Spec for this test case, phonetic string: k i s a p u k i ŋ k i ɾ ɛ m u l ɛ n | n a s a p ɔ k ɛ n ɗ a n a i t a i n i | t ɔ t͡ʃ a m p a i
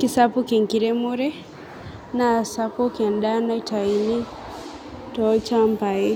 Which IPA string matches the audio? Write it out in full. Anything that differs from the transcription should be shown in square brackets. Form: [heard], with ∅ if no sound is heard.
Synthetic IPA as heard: k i s a p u k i ŋ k i ɾ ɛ m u [ɾ] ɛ [∅] | n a s a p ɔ k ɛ n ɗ a n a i t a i n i | t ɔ t͡ʃ a m p a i